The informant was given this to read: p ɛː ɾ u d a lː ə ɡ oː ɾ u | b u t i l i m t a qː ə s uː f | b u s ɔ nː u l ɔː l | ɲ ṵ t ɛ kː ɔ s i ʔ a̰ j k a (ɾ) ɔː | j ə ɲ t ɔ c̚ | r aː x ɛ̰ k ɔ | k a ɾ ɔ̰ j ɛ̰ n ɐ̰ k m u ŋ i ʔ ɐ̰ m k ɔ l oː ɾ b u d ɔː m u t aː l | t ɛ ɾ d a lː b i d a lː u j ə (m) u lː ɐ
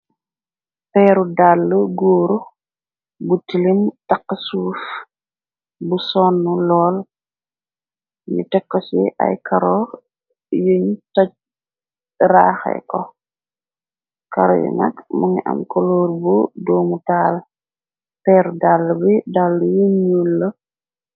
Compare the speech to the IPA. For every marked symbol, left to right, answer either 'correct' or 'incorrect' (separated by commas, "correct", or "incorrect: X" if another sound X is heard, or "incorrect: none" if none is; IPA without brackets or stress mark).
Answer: correct, incorrect: ɲ